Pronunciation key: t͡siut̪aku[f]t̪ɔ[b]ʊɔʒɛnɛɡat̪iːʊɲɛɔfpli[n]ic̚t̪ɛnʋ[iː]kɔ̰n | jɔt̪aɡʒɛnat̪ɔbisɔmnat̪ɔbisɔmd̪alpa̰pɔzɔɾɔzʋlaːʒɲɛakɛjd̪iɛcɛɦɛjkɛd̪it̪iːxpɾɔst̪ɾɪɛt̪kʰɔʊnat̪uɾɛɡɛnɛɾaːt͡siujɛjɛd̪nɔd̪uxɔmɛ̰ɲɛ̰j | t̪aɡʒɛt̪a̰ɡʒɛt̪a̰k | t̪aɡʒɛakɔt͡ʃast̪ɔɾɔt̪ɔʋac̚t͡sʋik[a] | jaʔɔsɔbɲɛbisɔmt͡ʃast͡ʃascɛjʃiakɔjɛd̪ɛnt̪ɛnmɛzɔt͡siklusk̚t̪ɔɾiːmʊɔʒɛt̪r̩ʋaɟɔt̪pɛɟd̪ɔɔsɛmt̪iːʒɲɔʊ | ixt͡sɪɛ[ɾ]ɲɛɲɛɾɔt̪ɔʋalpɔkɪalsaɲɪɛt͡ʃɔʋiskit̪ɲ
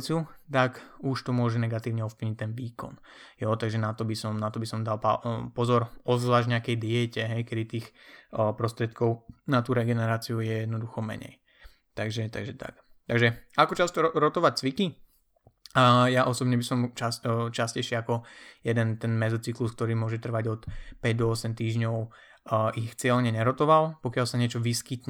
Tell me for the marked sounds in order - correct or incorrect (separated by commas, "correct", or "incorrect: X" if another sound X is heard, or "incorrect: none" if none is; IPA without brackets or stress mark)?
incorrect: ʃ, incorrect: m, incorrect: ɲ, correct, incorrect: i, incorrect: l